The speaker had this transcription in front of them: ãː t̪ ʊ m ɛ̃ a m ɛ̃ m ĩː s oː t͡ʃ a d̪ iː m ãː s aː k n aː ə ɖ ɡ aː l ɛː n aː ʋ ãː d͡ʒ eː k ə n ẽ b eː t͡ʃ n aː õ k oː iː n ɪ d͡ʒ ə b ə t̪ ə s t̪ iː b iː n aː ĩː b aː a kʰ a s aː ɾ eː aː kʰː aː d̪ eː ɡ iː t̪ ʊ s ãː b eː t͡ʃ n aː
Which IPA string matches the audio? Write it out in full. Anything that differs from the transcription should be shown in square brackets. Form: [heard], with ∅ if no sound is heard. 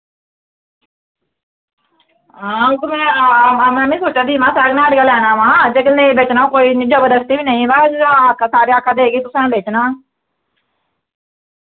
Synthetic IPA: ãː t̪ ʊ m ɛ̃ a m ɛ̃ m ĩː s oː t͡ʃ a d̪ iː m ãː s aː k n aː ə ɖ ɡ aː l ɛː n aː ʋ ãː d͡ʒ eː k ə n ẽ b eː t͡ʃ n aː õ k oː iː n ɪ d͡ʒ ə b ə [d̪] ə s t̪ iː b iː n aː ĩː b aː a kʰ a s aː ɾ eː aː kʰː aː d̪ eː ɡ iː t̪ ʊ s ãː b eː t͡ʃ n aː